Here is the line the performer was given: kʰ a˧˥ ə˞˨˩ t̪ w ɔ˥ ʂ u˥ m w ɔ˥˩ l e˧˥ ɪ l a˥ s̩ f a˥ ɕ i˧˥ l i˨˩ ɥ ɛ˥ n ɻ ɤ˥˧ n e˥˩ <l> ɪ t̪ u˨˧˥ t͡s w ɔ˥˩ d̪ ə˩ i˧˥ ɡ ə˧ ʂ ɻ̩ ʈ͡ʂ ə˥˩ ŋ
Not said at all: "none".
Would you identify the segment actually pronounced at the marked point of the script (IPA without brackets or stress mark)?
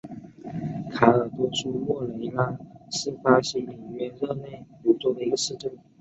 none